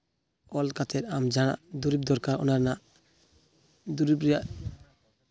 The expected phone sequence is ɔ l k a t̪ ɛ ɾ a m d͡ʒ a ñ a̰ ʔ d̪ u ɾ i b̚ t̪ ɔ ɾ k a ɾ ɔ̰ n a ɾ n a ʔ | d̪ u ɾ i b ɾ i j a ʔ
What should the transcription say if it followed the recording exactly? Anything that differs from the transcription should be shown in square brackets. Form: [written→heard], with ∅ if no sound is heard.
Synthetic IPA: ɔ l k a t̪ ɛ ɾ a m d͡ʒ a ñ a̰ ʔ d̪ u ɾ i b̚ [t̪→d̪] ɔ ɾ k a ɾ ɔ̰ n a ɾ n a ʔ | d̪ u ɾ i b ɾ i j a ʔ